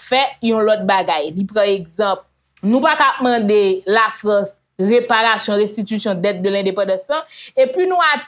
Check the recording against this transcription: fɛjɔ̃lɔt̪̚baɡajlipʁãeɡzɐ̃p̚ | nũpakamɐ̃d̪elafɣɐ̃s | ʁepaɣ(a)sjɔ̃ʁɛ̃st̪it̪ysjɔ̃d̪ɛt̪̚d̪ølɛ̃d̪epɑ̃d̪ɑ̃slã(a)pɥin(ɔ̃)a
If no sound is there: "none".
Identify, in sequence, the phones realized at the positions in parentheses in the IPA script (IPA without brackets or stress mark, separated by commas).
a, e, ũ